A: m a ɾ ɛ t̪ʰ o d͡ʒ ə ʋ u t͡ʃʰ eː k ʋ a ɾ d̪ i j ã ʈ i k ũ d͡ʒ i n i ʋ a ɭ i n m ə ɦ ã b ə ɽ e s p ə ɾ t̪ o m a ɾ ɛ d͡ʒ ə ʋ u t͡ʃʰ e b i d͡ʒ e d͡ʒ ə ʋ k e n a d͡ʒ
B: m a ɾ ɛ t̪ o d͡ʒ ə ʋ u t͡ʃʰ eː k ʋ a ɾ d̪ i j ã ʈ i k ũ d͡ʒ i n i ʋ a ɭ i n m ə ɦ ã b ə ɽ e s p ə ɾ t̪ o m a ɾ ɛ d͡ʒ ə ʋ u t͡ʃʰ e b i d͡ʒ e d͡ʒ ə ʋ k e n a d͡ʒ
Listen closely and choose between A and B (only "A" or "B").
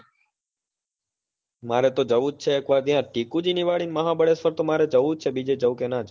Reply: B